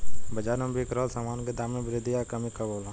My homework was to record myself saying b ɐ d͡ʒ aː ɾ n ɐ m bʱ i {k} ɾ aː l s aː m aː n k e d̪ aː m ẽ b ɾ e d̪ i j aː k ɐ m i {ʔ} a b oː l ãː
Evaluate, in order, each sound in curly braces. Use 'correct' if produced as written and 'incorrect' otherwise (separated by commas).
correct, incorrect